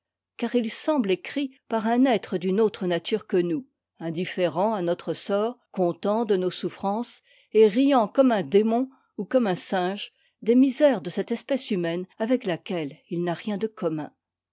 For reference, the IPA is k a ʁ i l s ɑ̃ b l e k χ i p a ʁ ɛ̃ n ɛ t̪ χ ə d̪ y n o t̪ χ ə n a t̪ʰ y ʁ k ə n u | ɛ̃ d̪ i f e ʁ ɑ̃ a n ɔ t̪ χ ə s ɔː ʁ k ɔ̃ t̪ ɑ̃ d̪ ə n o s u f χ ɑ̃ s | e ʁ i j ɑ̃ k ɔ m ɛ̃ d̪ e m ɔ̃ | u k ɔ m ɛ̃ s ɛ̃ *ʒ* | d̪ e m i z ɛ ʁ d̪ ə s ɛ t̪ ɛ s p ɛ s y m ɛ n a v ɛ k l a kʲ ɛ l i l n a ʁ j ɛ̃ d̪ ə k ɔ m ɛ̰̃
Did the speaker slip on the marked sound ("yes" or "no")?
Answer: no